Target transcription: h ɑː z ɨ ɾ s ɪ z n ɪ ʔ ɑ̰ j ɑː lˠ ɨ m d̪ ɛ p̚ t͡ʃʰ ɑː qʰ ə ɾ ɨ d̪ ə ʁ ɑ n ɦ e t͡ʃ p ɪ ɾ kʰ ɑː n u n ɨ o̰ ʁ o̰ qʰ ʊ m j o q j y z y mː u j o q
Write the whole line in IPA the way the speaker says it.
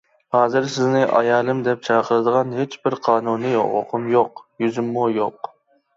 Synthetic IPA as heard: h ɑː z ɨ ɾ s ɪ z n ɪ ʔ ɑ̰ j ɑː lˠ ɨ m d̪ ɛ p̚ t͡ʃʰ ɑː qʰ ə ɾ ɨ d̪ ə ʁ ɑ n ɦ e t͡ʃ b ɪ ɾ qʰ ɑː n u n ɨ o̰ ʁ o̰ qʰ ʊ m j o q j y z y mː u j o q

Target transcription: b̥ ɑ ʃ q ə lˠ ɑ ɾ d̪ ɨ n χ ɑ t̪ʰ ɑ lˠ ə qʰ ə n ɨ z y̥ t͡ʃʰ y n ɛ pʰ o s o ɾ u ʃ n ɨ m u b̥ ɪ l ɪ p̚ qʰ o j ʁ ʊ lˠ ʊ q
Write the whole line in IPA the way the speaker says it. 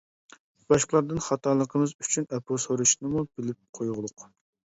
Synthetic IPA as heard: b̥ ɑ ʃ q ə lˠ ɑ ɾ d̪ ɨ n χ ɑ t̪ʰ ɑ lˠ ə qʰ ə m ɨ z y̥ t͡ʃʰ y n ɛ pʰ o s o ɾ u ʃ n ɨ m u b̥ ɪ l ɪ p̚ qʰ o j ʁ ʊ lˠ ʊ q

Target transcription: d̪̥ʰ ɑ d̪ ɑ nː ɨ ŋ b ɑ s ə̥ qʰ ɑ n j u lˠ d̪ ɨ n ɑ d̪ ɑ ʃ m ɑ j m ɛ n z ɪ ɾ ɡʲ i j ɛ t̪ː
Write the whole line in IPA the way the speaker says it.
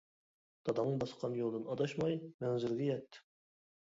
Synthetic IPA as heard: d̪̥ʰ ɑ d̪ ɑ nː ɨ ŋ b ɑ s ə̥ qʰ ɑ n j o lˠ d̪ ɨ n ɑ d̪ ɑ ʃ m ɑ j m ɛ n z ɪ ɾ ɡʲ ɛ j ɛ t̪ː

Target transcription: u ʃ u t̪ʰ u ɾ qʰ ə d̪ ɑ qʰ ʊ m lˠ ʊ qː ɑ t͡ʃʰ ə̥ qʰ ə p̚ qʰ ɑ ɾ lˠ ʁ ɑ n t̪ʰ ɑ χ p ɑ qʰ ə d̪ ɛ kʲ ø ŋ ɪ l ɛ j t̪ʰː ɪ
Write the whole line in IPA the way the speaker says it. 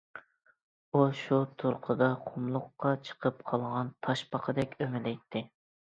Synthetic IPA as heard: u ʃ u t̪ʰ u ɾ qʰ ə d̪ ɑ qʰ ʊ m lˠ ʊ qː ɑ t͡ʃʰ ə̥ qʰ ə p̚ qʰ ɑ lˠ ʁ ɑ n t̪ʰ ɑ ʃ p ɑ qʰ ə d̪ ɛ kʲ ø m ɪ l ɛ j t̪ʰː ɪ

